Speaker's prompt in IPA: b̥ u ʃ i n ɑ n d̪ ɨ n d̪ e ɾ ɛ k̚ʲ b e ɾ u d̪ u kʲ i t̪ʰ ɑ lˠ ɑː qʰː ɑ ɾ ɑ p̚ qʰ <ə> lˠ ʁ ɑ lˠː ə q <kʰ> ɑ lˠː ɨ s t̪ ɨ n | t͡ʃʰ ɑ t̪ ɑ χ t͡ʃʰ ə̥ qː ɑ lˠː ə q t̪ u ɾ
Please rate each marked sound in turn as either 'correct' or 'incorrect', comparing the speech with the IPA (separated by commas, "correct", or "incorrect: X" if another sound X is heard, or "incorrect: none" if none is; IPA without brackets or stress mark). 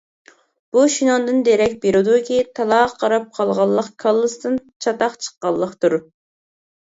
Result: incorrect: ɑ, correct